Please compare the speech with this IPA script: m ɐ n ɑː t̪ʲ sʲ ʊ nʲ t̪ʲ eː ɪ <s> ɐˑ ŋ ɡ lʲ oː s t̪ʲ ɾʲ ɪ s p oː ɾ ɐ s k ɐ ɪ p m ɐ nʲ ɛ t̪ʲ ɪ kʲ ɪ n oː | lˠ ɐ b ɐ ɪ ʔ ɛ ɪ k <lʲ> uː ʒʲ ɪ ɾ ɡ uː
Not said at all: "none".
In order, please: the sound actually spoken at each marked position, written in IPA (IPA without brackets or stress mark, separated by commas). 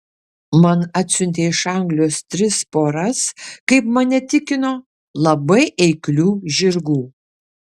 ʃ, lʲ